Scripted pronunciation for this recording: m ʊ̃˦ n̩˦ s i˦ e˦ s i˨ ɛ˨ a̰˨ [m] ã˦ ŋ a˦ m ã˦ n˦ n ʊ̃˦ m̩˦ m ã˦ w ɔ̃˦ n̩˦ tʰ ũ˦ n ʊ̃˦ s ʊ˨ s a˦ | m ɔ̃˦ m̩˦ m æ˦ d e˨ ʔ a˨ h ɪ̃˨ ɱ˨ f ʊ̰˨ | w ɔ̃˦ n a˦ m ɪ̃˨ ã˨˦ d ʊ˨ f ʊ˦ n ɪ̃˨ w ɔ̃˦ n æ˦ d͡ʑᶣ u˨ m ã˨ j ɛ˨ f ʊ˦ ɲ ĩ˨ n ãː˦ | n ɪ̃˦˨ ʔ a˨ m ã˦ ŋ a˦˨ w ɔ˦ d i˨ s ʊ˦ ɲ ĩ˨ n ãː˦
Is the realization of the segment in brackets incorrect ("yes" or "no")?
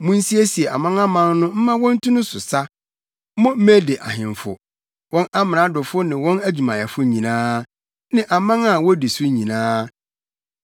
no